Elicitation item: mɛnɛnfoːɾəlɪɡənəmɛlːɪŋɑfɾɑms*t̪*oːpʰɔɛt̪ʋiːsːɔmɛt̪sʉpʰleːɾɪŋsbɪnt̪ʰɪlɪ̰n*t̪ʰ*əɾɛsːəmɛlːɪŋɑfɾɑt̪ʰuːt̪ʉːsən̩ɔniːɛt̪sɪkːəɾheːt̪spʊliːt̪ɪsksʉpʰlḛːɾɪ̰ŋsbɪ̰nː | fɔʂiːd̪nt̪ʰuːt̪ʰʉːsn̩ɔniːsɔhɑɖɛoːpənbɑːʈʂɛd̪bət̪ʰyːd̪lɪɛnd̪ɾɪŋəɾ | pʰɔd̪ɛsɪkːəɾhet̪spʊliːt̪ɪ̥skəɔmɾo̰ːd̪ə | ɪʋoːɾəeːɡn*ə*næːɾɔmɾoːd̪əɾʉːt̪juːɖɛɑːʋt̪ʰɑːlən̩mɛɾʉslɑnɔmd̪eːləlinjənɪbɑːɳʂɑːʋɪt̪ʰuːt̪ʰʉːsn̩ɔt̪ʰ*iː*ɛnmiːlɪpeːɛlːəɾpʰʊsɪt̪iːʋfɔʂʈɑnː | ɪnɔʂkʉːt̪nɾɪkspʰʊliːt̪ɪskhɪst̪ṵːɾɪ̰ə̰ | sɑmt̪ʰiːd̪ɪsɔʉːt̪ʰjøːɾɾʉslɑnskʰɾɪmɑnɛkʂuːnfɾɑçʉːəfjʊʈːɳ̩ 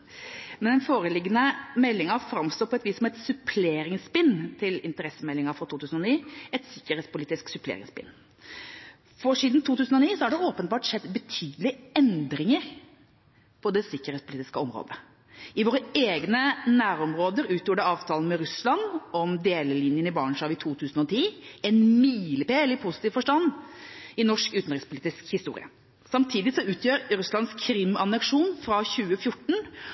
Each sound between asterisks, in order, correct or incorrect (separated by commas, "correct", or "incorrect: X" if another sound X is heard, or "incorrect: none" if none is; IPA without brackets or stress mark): correct, incorrect: t̪, correct, correct